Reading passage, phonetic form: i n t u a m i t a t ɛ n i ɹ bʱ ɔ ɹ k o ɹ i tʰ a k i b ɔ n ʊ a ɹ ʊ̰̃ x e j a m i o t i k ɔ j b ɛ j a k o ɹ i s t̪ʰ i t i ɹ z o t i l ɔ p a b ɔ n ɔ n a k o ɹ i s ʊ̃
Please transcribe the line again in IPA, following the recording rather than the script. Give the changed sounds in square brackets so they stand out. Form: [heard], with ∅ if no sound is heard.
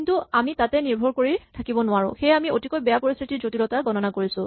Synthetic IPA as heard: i n t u a m i t a t ɛ n i ɹ bʱ ɔ ɹ k o ɹ i tʰ a k i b ɔ n ʊ a ɹ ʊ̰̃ x e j a m i o t i k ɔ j b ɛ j a [p] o ɹ i s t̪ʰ i t i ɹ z o t i l ɔ [t] a [ɡ] ɔ n ɔ n a k o ɹ i s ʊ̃